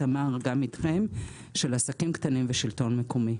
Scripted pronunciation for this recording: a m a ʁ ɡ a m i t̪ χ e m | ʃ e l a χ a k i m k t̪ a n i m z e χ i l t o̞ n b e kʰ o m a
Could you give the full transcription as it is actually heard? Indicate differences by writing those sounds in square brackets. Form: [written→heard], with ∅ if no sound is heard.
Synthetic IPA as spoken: a m a ʁ ɡ a m i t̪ χ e m | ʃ e l a [χ→s] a k i m k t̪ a n i m [z→v] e [χ→ʃ] i l t o̞ n [b→m] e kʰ o m [a→i]